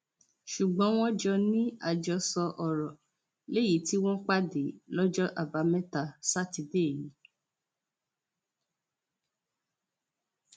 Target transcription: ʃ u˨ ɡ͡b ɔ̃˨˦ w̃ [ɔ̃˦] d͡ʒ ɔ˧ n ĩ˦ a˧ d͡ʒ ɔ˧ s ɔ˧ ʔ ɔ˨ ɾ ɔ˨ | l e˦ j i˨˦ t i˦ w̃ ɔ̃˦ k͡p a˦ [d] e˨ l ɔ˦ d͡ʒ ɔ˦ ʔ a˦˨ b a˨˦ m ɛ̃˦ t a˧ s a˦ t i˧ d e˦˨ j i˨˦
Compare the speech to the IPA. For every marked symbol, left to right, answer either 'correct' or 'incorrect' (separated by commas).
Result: correct, correct